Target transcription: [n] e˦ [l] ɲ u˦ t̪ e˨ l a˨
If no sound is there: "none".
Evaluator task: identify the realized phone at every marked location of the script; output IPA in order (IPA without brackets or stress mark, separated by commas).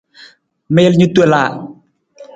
m, l